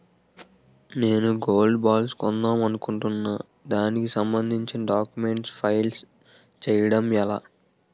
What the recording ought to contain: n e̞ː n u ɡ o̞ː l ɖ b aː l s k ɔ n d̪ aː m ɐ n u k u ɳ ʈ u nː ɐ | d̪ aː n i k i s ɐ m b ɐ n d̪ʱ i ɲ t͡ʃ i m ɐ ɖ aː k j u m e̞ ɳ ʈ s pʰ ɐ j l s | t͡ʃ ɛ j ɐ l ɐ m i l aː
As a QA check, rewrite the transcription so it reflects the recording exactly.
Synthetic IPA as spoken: n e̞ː n u ɡ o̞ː l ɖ b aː l s k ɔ n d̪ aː m ɐ n u k u ɳ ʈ u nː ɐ | d̪ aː n i k i s ɐ m b ɐ n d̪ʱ i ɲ t͡ʃ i n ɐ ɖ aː k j u m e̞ ɳ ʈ s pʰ ɐ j l s | t͡ʃ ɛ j ɐ ɽ ɐ m ɛ l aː